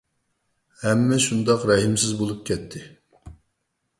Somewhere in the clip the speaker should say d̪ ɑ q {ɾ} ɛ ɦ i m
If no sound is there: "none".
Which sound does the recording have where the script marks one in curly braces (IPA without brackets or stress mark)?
ɾ